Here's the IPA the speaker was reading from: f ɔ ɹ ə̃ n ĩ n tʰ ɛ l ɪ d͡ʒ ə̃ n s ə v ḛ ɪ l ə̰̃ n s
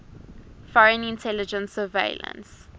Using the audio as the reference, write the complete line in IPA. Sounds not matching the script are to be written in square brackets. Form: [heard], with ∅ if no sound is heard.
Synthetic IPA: f ɔ ɹ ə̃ n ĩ n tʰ ɛ l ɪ d͡ʒ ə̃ n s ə v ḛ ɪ l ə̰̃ n s

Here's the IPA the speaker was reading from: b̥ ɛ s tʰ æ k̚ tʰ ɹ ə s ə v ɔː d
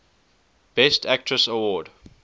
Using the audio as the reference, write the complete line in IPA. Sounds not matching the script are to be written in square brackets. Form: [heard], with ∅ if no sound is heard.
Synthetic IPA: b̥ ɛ s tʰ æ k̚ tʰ ɹ ə s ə [w] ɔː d

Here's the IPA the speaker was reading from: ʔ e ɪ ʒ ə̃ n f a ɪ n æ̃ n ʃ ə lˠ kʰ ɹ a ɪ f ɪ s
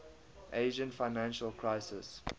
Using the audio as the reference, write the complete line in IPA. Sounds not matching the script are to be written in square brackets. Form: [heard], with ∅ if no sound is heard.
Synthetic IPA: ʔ e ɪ ʒ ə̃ n f a ɪ n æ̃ n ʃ ə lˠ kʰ ɹ a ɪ [s] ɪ s

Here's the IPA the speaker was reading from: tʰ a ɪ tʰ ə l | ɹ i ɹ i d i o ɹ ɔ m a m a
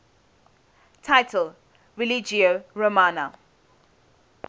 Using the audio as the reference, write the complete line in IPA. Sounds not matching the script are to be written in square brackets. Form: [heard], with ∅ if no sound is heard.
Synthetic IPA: tʰ a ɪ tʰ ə l | ɹ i [l] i [d͡ʒ] i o ɹ [o] m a [n] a

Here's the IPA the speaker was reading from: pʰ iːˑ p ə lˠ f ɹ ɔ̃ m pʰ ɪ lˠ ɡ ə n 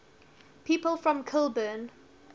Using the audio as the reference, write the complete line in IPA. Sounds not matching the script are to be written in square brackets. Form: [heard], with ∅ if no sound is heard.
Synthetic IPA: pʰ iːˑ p ə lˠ f ɹ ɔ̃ m [kʰ] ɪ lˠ [b] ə n

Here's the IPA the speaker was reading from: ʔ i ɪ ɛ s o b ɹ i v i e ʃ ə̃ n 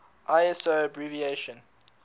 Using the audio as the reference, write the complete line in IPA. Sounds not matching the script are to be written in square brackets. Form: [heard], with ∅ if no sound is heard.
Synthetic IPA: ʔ [a] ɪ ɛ s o b ɹ i v i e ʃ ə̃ n

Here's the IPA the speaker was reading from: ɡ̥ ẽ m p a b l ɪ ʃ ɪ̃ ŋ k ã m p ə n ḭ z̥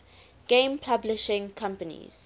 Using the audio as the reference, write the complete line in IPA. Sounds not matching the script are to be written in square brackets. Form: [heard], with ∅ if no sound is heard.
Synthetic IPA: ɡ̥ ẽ m [pʰ] a b l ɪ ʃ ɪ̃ ŋ [kʰ] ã m p ə n ḭ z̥

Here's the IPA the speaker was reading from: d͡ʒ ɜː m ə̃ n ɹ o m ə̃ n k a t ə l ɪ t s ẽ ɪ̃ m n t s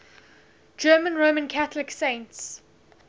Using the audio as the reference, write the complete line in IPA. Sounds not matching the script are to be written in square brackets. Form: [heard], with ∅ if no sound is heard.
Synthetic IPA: d͡ʒ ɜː m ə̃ n ɹ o m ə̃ n [kʰ] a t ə l ɪ [k] s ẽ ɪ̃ [∅] n t s

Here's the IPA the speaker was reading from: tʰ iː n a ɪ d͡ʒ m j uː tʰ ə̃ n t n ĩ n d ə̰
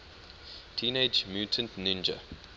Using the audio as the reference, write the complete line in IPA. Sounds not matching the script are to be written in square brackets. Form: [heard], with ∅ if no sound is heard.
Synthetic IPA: tʰ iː n [e] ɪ d͡ʒ m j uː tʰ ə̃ n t n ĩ n [d͡ʒ] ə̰

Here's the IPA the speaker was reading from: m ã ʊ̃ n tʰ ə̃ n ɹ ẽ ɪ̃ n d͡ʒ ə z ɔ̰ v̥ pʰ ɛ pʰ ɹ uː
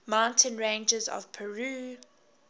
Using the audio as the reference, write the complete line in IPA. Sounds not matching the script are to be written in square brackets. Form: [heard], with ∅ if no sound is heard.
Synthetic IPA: m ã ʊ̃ n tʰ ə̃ n ɹ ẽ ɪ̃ n d͡ʒ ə z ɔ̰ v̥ pʰ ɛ [∅] ɹ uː

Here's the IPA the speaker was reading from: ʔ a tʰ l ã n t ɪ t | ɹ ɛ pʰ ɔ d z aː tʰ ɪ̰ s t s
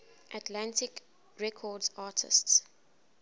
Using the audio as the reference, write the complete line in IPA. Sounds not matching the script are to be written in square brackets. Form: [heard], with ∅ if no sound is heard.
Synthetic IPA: ʔ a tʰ l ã n t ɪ [k] | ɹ ɛ [kʰ] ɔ d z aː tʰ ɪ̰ s t s

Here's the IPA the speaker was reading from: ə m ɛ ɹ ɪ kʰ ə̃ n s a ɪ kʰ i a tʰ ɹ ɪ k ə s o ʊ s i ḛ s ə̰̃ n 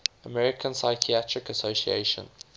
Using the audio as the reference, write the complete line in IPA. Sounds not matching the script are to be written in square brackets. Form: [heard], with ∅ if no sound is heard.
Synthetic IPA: ə m ɛ ɹ ɪ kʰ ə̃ n s a ɪ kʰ i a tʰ ɹ ɪ k ə s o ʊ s i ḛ [ʃ] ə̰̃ n

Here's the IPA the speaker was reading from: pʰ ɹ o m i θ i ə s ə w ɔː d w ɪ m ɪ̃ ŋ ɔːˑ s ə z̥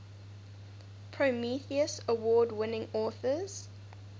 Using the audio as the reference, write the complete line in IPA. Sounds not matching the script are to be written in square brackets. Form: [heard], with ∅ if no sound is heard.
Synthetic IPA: pʰ ɹ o m i θ i ə s ə w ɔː d w ɪ [n] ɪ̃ ŋ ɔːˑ [θ] ə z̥

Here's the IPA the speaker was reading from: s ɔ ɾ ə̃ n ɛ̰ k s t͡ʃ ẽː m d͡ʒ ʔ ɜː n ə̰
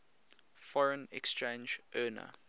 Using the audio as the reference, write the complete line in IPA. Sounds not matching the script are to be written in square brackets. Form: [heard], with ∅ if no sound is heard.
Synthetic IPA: [f] ɔ [ɹ] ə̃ n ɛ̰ k s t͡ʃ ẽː [n] d͡ʒ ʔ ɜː n ə̰

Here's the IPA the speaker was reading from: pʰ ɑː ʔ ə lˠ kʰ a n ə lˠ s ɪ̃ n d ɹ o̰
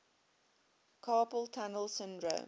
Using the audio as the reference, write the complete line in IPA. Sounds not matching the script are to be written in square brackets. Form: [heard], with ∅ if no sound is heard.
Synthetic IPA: [kʰ] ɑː [p] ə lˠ [tʰ] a n ə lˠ s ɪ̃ n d ɹ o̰

